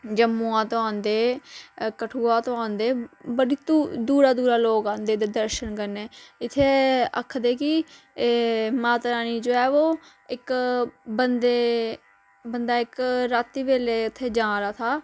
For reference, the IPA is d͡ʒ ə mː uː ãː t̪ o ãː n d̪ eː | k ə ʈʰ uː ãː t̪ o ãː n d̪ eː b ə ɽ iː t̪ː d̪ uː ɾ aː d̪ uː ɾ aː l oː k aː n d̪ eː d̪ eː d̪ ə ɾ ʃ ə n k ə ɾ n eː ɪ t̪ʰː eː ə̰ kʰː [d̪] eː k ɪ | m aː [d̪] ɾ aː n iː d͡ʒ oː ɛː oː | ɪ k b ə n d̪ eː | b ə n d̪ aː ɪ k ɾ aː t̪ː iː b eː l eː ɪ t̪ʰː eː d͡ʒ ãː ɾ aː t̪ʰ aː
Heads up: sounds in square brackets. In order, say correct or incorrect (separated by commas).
correct, incorrect